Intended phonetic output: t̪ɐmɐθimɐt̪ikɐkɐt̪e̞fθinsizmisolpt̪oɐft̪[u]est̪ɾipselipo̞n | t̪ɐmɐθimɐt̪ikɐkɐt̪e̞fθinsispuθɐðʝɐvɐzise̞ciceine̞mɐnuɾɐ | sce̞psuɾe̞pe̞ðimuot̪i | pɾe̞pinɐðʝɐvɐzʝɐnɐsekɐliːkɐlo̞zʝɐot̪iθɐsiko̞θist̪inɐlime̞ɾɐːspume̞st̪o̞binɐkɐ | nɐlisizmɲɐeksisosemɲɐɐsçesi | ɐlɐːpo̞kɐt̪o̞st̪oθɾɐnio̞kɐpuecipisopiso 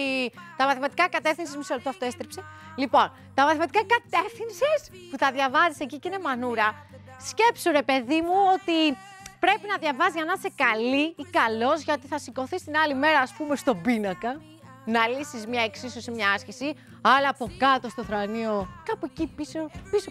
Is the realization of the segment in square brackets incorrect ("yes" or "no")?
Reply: yes